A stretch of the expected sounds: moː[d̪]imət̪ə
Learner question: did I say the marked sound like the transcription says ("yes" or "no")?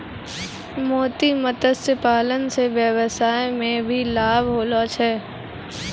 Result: no